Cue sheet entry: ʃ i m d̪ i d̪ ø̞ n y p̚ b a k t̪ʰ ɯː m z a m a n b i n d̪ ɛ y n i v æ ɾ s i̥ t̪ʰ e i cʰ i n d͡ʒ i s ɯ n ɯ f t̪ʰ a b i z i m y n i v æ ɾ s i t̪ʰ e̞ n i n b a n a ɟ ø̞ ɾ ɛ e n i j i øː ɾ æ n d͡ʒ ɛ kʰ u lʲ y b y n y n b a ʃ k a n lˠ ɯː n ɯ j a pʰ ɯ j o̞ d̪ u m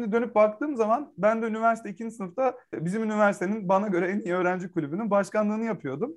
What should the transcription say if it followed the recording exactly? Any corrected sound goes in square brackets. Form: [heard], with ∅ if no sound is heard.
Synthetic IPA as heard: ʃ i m d̪ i d̪ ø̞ n y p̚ b a k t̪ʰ ɯː m z a m a n b [æ] n d̪ ɛ y n i v æ ɾ s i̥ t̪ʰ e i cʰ i n d͡ʒ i s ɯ n ɯ f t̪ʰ a b i z i m y n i v æ ɾ s i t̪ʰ e̞ n i n b a n a ɟ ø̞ ɾ ɛ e n i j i øː ɾ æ n d͡ʒ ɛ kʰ u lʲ y b y n y n b a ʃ k a n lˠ ɯː n ɯ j a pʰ ɯ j o̞ d̪ u m